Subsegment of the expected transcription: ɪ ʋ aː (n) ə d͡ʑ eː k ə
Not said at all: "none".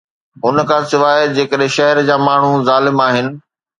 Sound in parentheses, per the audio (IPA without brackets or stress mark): none